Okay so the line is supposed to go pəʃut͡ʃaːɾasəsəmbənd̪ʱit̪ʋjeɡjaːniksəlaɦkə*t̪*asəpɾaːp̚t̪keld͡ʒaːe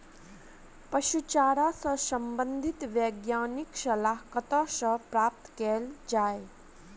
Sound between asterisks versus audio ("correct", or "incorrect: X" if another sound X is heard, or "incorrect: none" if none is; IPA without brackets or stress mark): correct